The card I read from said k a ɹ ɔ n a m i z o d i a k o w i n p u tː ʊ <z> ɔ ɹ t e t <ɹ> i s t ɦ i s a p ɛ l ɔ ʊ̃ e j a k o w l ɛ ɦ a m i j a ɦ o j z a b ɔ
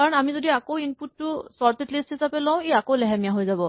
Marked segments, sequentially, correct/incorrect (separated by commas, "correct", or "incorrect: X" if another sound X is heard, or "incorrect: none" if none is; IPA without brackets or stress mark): incorrect: s, incorrect: l